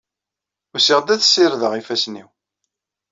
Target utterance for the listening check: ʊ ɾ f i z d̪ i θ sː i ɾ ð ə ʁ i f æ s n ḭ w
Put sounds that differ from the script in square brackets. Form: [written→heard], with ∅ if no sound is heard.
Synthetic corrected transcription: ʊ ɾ [f→s] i [z→ʁ] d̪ [i→æ] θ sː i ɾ ð ə ʁ i f æ s n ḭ w